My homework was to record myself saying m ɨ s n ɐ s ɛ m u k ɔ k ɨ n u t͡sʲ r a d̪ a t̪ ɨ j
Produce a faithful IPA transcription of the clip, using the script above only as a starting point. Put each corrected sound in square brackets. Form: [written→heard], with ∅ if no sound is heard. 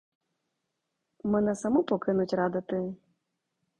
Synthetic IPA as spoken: m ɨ [s→∅] n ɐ s [ɛ→a] m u [k→p] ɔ k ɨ n u t͡sʲ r a d̪ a t̪ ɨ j